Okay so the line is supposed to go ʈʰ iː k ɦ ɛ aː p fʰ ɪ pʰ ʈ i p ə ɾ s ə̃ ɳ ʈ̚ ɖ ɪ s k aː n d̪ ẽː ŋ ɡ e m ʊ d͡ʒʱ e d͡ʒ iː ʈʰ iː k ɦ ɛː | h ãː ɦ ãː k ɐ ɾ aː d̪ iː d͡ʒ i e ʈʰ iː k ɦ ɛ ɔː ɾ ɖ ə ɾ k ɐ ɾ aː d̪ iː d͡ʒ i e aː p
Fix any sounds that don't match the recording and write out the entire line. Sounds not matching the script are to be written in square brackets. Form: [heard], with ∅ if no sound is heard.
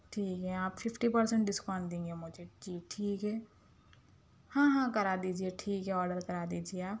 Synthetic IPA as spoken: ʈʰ iː k ɦ ɛ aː p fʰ ɪ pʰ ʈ i p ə ɾ s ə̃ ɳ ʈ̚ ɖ ɪ s k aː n d̪ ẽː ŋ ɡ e m ʊ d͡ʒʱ e d͡ʒ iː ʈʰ iː k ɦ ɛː | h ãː ɦ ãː k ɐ ɾ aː d̪ iː d͡ʒ i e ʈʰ iː k ɦ ɛ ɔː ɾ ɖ ə ɾ k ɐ ɾ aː d̪ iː d͡ʒ i e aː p